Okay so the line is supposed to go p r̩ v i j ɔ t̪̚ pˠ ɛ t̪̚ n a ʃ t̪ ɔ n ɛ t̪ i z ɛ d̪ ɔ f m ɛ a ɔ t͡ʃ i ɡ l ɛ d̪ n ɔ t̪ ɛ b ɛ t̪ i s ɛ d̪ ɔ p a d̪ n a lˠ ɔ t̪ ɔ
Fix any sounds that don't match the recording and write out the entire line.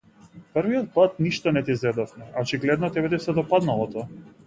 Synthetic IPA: p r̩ v i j ɔ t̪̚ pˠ a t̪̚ n i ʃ t̪ ɔ n ɛ t̪ i z ɛ d̪ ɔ f m ɛ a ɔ t͡ʃ i ɡ l ɛ d̪ n ɔ t̪ ɛ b ɛ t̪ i s ɛ d̪ ɔ p a d̪ n a lˠ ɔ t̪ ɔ